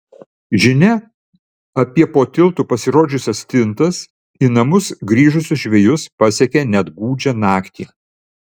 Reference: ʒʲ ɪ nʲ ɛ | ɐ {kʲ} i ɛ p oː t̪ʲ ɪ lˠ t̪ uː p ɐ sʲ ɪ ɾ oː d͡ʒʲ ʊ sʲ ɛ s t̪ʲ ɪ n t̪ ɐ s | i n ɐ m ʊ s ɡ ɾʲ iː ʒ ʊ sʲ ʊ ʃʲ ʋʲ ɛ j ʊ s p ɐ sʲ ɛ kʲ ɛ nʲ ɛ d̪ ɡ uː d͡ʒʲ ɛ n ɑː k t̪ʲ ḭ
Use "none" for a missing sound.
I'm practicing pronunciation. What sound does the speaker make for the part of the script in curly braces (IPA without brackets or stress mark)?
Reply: pʲ